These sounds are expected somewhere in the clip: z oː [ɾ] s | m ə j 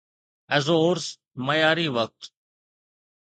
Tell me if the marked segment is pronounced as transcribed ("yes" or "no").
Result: yes